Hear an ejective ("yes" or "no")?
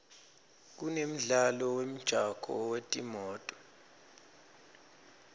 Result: yes